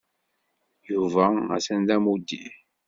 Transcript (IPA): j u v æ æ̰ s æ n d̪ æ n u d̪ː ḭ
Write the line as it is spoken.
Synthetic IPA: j u v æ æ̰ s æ n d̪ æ m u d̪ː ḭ